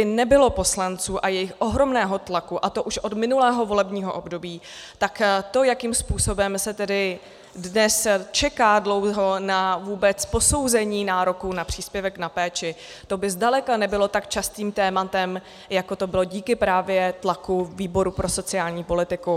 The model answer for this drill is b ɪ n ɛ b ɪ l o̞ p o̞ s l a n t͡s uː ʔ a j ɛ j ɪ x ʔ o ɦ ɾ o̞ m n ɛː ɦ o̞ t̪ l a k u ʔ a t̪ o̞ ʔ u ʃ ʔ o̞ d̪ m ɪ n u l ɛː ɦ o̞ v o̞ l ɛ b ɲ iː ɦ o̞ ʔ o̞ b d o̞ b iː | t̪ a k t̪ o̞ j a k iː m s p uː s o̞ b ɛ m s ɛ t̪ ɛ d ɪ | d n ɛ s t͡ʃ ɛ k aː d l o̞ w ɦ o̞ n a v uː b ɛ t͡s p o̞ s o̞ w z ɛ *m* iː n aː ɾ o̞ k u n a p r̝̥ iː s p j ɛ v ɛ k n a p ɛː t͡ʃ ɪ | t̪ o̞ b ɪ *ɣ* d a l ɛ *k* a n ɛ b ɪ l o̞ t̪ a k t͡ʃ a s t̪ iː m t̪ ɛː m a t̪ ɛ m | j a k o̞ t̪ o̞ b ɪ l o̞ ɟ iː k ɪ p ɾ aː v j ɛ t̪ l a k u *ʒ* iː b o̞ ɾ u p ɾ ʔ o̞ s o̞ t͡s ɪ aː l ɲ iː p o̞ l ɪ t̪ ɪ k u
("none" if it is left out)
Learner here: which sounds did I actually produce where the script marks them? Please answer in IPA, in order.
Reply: ɲ, z, k, v

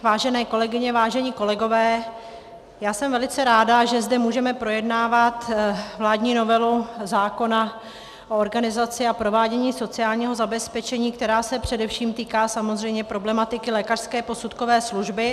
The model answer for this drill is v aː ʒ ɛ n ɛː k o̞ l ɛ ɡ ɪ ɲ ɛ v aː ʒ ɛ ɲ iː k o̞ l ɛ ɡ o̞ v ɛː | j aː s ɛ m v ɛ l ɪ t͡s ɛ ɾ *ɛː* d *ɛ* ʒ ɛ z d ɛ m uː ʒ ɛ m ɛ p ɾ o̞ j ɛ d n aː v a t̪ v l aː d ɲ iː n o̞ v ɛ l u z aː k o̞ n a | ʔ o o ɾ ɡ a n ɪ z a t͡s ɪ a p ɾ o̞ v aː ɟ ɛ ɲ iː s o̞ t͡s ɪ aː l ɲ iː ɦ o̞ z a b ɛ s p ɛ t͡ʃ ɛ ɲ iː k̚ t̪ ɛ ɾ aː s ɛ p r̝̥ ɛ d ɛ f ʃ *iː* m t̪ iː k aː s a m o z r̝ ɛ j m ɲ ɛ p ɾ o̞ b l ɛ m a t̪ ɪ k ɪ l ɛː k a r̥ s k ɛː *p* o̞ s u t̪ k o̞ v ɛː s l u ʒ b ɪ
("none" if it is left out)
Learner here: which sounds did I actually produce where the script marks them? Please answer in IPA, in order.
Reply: aː, a, iː, p

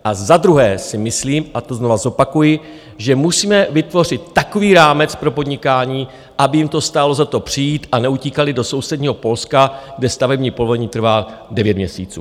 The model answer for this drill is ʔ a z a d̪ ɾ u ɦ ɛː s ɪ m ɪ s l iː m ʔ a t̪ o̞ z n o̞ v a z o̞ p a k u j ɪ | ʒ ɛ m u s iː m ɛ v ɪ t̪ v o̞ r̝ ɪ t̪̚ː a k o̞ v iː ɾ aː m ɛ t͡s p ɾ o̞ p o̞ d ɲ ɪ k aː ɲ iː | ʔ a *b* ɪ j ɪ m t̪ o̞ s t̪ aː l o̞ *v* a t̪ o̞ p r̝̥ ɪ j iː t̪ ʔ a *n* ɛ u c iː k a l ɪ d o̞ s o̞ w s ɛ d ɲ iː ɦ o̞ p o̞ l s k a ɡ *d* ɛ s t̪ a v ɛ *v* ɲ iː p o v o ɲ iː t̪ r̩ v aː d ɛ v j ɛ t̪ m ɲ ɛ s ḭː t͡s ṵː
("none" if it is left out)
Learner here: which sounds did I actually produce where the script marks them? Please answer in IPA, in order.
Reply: b, z, n, d, b

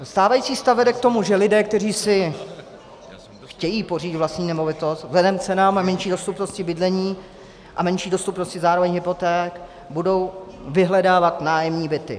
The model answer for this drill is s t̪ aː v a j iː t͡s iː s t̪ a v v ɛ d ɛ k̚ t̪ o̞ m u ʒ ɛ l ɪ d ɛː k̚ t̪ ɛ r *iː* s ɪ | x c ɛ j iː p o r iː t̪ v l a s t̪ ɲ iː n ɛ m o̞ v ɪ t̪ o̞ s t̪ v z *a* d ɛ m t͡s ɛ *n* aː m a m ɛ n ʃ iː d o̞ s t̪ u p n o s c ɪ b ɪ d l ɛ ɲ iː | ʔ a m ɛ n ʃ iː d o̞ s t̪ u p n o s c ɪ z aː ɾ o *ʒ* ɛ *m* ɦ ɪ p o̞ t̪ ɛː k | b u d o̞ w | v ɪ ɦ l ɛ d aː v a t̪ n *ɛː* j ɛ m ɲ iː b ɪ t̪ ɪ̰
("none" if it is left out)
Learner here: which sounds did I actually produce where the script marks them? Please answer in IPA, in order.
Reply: iː, ɛ, n, v, ɲ, aː

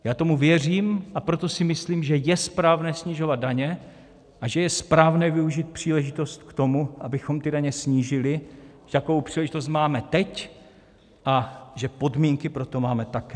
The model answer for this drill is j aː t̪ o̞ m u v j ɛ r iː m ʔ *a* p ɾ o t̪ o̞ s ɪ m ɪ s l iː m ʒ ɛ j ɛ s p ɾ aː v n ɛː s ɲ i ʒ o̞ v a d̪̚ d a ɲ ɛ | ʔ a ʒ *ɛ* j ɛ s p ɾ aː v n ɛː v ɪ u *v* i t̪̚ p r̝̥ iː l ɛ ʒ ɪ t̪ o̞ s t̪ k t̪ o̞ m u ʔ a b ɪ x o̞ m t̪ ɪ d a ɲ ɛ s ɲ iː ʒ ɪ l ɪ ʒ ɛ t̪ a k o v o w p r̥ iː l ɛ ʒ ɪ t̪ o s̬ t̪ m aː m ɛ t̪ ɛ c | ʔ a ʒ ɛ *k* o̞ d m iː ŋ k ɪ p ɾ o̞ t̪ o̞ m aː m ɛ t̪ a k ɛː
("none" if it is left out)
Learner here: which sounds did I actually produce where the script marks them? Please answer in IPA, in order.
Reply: a, ɛ, ʒ, p

